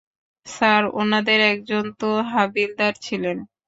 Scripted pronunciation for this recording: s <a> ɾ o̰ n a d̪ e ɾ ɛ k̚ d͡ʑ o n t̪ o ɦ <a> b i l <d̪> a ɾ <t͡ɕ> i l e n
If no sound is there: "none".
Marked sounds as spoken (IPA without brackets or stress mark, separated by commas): a, a, d̪, t͡ɕʰ